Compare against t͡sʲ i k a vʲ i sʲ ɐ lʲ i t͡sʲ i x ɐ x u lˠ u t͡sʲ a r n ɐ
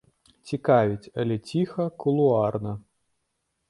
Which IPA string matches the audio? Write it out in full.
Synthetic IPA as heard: t͡sʲ i k a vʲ i t͡sʲ ɐ lʲ ɛ t͡sʲ i x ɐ k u lˠ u a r n ɐ